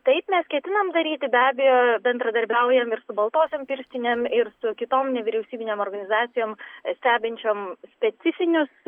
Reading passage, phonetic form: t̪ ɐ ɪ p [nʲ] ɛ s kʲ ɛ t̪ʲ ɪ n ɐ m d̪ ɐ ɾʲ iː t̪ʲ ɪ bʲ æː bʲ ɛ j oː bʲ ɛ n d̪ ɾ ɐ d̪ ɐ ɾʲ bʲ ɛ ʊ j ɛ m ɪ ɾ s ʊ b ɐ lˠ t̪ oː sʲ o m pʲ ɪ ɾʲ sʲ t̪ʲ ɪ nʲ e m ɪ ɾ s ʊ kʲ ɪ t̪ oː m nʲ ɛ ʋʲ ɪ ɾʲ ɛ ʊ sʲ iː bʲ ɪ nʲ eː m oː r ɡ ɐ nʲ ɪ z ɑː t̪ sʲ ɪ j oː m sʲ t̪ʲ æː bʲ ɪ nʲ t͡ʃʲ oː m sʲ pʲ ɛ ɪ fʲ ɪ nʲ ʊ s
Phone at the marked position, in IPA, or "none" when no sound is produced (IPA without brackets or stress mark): mʲ